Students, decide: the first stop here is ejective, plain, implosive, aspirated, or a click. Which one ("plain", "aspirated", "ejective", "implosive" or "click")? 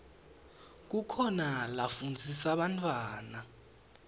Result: plain